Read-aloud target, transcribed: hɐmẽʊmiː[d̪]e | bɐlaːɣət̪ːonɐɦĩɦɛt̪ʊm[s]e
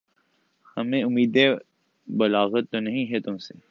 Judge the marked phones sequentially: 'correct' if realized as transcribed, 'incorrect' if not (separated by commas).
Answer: correct, correct